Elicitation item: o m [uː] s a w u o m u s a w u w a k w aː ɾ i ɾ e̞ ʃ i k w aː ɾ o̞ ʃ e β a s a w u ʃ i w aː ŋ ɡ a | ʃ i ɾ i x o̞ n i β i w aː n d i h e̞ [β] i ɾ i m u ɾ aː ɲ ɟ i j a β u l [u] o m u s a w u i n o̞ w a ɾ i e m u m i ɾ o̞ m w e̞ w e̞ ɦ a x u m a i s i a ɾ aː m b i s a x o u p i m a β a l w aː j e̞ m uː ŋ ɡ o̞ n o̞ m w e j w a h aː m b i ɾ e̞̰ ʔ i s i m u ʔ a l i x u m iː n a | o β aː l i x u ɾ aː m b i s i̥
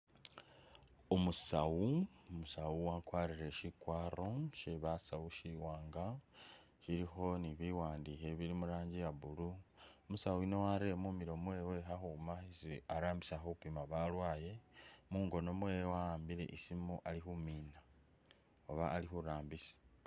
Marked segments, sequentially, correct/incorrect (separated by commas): incorrect, correct, correct